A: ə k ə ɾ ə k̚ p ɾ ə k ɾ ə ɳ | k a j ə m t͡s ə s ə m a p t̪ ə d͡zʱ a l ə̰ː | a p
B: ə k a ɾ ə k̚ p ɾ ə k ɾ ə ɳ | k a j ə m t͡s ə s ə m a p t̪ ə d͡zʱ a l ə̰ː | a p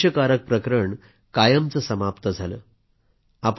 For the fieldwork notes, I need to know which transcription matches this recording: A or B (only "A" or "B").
B